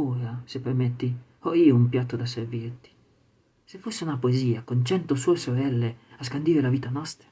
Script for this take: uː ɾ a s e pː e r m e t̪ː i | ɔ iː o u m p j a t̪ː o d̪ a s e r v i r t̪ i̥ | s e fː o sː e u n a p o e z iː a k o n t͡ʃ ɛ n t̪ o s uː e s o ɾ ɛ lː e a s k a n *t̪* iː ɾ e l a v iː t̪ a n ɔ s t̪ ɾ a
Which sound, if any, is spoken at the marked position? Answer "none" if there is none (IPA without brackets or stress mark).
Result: d̪